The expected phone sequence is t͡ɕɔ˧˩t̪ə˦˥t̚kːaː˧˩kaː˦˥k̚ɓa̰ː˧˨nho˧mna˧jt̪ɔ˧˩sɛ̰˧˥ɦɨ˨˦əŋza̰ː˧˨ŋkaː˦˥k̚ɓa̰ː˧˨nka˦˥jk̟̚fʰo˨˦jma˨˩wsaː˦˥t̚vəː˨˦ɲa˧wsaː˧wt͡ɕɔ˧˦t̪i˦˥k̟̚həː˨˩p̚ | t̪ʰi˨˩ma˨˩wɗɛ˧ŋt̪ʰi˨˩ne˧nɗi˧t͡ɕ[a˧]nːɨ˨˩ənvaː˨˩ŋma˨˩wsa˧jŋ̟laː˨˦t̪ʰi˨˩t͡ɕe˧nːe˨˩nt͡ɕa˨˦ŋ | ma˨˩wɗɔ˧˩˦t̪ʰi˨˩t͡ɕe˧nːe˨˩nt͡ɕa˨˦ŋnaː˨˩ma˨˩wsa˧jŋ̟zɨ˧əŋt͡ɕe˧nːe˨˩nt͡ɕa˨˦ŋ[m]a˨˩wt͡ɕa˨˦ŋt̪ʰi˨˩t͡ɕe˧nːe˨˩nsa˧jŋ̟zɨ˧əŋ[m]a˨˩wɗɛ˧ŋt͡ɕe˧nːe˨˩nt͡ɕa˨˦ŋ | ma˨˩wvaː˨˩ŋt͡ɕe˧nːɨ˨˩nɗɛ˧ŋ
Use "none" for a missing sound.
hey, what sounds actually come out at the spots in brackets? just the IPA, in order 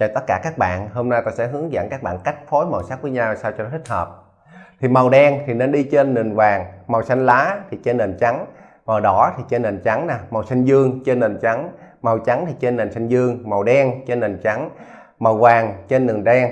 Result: e˧, m, m

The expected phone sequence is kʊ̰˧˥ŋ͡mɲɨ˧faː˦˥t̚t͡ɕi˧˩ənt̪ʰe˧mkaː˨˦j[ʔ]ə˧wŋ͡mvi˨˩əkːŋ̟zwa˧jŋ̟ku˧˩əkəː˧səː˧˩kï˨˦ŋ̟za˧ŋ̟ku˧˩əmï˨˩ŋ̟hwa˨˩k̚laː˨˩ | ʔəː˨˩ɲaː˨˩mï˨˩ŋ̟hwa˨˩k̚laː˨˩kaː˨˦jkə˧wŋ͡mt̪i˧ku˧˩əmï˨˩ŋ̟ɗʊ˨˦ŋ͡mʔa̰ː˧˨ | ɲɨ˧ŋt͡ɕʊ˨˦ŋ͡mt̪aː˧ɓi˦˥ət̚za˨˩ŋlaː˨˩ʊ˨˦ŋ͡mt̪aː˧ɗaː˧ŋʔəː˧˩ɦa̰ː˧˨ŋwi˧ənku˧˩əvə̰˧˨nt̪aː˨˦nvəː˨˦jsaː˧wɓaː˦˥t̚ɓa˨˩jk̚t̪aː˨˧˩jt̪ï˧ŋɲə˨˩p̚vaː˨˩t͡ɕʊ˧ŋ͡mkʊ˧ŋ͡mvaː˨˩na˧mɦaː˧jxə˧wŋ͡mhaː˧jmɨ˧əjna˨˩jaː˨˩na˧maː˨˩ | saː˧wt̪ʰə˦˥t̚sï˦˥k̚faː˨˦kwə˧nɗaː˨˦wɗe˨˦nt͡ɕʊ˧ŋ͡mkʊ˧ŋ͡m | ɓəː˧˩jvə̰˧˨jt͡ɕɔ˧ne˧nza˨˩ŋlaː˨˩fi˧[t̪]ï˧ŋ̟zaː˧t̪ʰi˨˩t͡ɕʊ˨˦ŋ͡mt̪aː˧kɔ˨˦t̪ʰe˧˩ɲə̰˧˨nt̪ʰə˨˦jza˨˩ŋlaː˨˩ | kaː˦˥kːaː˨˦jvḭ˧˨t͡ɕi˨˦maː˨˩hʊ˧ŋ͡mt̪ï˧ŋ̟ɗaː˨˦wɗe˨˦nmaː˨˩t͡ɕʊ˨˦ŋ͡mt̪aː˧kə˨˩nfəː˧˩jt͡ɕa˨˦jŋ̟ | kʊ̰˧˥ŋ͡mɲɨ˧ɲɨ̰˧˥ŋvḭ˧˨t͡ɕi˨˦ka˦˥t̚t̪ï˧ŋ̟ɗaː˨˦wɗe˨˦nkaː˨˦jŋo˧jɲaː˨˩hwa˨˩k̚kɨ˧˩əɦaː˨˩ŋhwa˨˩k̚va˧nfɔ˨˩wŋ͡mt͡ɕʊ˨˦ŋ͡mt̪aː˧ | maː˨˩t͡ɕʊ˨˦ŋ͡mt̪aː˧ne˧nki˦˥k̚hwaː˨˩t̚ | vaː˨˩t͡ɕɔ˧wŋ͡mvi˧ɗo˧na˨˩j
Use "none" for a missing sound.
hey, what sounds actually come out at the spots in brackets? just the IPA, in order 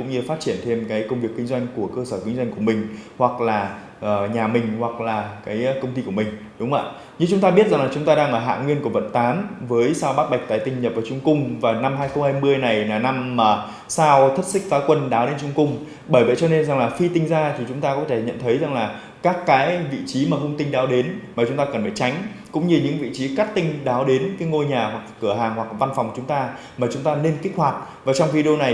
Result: k, t̪

